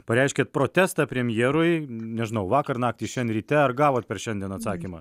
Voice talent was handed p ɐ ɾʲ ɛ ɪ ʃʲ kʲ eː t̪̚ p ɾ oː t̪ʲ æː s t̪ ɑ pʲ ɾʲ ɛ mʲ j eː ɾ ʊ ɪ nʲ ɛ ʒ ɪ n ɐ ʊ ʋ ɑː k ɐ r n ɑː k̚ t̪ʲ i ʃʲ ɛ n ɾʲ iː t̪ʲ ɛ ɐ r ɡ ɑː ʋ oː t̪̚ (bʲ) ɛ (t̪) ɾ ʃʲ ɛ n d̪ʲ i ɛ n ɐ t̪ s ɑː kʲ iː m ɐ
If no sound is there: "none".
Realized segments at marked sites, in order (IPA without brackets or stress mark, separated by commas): pʲ, none